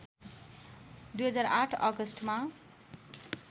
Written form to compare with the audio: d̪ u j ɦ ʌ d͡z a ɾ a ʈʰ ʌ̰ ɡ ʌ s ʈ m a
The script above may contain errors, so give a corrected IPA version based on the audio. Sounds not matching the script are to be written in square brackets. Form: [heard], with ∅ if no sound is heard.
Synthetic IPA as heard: d̪ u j ɦ ʌ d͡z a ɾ a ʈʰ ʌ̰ ɡ ʌ s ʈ m a